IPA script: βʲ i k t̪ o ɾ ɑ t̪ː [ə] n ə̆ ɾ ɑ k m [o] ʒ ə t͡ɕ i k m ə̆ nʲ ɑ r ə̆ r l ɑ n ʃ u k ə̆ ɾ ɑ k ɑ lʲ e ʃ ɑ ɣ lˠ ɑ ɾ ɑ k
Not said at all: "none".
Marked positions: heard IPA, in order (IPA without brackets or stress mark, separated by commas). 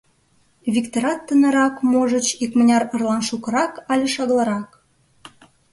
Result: ə, o